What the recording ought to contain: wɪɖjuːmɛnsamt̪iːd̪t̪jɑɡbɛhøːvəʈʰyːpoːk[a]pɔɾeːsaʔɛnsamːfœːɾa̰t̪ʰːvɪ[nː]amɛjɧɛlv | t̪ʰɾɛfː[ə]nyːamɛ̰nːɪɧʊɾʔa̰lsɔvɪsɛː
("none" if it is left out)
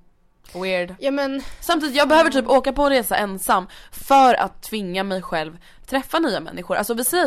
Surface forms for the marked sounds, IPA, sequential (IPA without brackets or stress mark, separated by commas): a, ŋː, a